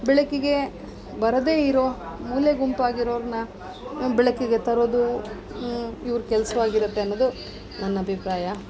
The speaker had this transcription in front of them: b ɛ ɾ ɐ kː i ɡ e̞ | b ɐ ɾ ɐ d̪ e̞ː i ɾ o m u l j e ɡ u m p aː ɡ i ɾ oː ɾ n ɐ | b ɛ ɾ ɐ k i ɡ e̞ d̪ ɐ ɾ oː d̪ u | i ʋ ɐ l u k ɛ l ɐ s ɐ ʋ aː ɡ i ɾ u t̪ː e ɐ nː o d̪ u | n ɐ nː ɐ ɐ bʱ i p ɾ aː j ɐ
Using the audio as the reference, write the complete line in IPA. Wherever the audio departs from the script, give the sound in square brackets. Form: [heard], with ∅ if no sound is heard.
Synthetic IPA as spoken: b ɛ [ɭ] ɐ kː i ɡ e̞ | b ɐ ɾ ɐ d̪ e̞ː i ɾ o m [uː] l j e ɡ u m p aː ɡ i ɾ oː ɾ n ɐ | b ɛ [ɭ] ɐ k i ɡ e̞ [t̪] ɐ ɾ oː d̪ u | i ʋ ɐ [ɾ] u k ɛ l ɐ s ɐ ʋ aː ɡ i ɾ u t̪ː e ɐ nː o d̪ u | n ɐ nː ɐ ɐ bʱ i p ɾ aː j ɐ